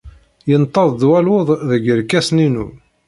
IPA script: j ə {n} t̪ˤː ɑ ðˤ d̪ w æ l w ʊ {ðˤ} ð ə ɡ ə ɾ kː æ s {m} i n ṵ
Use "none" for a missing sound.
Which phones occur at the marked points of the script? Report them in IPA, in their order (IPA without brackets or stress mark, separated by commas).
n, ðˤ, n